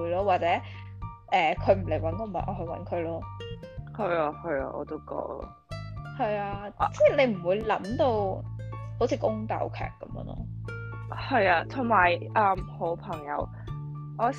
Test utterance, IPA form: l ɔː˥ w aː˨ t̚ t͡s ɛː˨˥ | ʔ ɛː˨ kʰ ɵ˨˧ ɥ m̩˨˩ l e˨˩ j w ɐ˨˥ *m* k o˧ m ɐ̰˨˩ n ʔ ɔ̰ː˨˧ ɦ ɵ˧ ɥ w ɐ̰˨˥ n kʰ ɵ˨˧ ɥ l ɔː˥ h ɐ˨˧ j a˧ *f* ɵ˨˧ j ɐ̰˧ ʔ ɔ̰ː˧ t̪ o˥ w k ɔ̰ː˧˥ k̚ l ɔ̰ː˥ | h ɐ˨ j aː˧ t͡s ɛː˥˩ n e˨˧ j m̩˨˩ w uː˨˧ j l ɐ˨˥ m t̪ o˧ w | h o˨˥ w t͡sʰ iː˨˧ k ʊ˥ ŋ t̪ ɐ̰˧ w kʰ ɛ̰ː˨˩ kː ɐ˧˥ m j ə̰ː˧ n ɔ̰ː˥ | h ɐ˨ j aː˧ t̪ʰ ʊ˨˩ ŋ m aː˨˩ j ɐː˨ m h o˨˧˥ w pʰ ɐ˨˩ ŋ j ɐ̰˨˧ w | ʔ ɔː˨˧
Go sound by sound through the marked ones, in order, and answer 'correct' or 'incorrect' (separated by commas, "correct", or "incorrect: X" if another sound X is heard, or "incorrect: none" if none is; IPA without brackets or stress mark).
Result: incorrect: n, incorrect: h